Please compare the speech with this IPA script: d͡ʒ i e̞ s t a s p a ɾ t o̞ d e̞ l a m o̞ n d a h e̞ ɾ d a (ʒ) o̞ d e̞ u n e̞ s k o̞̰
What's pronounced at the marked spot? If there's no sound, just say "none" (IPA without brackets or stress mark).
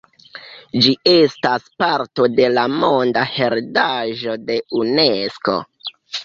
ʒ